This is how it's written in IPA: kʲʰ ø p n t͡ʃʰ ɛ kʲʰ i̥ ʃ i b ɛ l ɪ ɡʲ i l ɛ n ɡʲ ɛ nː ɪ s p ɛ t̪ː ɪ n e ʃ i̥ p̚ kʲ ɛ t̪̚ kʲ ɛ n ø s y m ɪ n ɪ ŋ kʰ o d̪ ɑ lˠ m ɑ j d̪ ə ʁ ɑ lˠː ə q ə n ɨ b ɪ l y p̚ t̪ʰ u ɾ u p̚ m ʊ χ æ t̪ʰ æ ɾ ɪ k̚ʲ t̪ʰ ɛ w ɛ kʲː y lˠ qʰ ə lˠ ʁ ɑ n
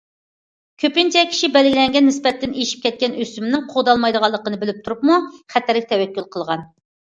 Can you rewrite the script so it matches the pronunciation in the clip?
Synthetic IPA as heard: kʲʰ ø p n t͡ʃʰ ɛ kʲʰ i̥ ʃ i b ɛ l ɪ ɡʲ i l ɛ ŋ ɡʲ ɛ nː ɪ s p ɛ t̪ː ɪ n e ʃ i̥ p̚ kʲ ɛ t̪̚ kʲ ɛ n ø s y m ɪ n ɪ ŋ qʰ o d̪ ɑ lˠ m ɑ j d̪ ə ʁ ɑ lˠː ə q ə n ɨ b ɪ l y p̚ t̪ʰ u ɾ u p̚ m u χ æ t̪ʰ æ ɾ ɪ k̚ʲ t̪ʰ ɛ w ɛ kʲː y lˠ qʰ ə lˠ ʁ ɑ n